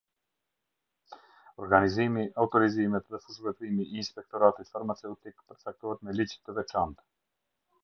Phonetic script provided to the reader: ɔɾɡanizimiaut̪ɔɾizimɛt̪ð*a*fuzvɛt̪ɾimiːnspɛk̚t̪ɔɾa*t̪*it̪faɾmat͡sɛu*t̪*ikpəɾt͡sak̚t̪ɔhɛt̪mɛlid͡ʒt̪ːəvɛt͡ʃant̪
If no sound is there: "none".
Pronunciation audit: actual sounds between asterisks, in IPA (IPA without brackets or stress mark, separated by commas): ɛ, t̪, t̪